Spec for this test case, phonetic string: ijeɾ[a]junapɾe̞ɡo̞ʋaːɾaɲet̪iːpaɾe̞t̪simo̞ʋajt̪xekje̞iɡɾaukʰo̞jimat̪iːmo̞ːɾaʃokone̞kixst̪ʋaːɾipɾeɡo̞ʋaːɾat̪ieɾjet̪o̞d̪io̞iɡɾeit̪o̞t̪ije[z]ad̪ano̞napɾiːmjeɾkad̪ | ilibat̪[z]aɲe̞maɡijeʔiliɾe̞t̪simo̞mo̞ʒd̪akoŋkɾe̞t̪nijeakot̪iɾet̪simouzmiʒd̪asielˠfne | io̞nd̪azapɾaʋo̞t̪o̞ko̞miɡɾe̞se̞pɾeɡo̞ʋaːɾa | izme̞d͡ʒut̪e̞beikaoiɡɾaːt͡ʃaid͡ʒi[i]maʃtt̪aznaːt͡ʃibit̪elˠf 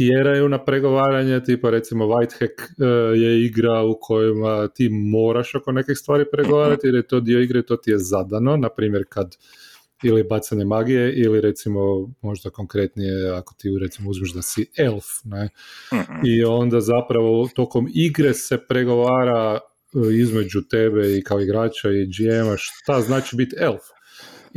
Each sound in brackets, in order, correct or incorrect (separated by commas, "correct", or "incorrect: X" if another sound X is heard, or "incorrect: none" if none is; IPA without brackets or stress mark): correct, correct, incorrect: s, incorrect: e